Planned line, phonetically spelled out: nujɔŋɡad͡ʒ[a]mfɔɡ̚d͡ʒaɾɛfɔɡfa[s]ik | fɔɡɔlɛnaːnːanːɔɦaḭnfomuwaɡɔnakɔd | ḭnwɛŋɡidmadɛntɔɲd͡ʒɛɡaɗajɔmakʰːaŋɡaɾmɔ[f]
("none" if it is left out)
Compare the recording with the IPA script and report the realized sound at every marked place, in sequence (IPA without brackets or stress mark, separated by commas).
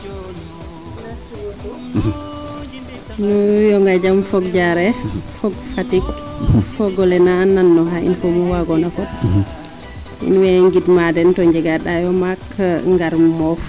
a, t, f